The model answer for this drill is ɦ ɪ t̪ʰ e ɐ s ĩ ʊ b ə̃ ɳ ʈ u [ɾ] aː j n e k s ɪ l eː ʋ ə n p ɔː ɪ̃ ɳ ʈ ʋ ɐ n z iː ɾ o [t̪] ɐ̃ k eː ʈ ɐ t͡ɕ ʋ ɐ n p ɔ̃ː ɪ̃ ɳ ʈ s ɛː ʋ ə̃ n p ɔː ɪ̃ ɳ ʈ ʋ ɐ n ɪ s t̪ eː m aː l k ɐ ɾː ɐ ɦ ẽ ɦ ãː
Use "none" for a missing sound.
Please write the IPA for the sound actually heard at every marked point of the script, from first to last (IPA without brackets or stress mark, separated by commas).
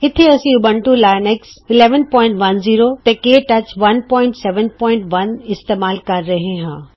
l, t̪